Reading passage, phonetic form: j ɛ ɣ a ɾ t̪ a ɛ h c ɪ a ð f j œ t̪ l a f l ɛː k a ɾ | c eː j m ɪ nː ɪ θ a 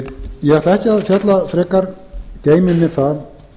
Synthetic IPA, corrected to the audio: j ɛ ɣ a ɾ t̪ a ɛ h c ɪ a ð f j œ t̪ l a f ɾ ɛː k a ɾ | c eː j m ɪ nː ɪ θ a